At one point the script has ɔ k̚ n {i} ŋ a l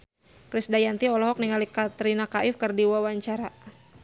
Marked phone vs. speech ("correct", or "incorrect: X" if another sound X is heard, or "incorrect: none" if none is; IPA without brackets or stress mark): correct